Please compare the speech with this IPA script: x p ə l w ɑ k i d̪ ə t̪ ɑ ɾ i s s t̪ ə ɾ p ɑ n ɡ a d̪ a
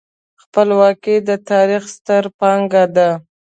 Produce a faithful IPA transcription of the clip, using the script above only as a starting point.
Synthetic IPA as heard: x p ə l w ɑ k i d̪ ə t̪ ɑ ɾ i x s t̪ ə ɾ p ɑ ŋ ɡ a d̪ a